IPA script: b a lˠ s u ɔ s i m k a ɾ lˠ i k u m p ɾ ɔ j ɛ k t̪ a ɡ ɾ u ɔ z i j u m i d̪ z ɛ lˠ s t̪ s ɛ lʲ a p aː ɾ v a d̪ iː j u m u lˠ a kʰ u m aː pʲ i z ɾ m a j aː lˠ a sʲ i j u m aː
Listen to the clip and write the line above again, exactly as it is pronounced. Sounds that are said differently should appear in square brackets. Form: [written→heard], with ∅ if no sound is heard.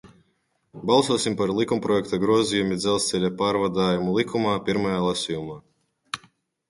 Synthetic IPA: b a lˠ s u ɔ s i m [k→p] a ɾ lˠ i k u m p ɾ ɔ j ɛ k t̪ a ɡ ɾ u ɔ z i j u m i d̪ z ɛ lˠ s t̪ s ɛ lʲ a p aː ɾ v a d̪ [iː→aː] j u m u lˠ [a→i] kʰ u m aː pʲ i [z→∅] ɾ m a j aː lˠ a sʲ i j u m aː